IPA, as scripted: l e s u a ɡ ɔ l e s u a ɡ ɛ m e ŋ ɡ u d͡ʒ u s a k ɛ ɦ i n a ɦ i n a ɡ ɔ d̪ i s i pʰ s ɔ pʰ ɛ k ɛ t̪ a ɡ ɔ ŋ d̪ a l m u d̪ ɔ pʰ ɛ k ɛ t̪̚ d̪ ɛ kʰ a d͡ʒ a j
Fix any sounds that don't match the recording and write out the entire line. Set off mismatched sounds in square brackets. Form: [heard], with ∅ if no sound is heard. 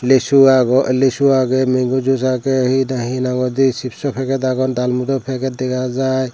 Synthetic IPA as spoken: l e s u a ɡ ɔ l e s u a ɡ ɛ m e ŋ ɡ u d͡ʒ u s a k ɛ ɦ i n a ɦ i n a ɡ ɔ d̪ i s i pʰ s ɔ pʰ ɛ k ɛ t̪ a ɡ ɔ [n] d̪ a l m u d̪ ɔ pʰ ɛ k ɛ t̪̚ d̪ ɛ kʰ a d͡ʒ a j